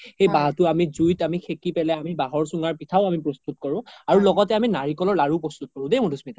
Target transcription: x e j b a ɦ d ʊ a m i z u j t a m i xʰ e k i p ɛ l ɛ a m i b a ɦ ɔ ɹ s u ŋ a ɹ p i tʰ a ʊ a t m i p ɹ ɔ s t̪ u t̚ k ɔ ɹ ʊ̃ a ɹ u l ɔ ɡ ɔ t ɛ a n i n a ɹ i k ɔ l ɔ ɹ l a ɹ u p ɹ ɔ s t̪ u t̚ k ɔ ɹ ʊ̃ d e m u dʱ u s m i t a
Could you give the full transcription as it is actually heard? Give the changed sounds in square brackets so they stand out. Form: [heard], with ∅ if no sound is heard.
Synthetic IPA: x e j b a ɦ [t] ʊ a m i z u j t a m i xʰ e k i p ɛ l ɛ a m i b a ɦ ɔ ɹ s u ŋ a ɹ p i tʰ a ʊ a [∅] m i p ɹ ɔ s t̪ u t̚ k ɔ ɹ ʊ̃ a ɹ u l ɔ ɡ ɔ t ɛ a [m] i n a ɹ i k ɔ l ɔ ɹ l a ɹ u p ɹ ɔ s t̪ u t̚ k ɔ ɹ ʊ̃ d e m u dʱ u s m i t a